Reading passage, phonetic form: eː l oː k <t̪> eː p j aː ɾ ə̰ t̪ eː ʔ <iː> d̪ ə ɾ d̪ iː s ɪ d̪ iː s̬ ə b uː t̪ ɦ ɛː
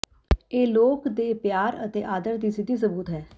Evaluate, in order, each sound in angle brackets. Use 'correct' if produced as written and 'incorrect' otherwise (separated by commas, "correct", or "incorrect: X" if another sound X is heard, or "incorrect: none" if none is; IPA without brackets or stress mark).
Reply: incorrect: d̪, incorrect: aː